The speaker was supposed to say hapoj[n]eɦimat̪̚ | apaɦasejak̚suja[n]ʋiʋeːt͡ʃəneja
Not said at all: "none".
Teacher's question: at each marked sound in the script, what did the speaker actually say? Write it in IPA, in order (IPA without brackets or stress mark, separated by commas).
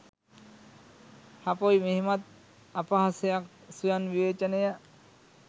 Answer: m, n